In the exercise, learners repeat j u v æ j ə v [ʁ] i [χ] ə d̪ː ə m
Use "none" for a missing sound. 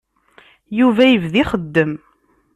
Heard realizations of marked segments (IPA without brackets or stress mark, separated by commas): ð, χ